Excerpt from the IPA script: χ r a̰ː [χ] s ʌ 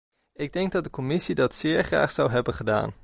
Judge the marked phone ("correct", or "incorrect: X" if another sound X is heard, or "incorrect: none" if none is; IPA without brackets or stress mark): correct